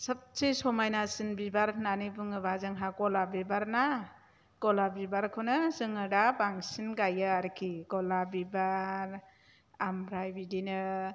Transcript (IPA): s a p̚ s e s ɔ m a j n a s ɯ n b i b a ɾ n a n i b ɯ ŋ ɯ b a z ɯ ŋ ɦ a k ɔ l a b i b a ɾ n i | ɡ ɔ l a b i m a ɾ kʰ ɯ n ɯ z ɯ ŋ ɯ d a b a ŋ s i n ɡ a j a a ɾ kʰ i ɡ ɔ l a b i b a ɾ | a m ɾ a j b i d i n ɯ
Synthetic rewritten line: s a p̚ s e s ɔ m a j n a s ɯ n b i b a ɾ n a n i b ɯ ŋ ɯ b a z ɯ ŋ ɦ a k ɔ l a b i b a ɾ n a | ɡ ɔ l a b i b a ɾ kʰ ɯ n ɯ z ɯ ŋ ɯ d a b a ŋ s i n ɡ a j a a ɾ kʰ i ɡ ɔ l a b i b a ɾ | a m ɾ a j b i d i n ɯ

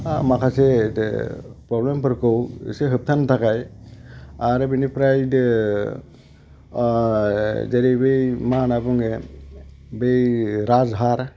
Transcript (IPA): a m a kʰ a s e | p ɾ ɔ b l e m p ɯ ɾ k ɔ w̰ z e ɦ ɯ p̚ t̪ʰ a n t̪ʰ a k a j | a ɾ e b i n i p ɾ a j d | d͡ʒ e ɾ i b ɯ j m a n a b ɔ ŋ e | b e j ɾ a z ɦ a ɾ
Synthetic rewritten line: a m a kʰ a s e | p ɾ ɔ b l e m p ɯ ɾ k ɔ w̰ s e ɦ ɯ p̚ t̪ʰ a n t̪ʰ a k a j | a ɾ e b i n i p ɾ a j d | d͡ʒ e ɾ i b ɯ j m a n a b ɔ ŋ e | b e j ɾ a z ɦ a ɾ

